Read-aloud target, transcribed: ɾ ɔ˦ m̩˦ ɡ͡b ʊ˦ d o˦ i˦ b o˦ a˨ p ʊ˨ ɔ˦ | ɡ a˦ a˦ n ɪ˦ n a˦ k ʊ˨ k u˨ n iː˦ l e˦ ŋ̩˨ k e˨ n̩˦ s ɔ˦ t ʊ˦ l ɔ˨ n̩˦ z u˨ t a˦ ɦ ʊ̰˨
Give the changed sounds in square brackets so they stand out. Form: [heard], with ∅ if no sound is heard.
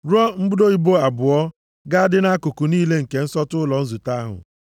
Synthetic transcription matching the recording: ɾ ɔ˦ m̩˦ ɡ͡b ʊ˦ d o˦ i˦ b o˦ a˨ [b] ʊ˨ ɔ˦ | ɡ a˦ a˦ [d] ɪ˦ n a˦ k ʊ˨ k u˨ n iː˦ l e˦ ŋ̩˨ k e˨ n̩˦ s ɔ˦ t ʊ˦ l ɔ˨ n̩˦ z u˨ t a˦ ɦ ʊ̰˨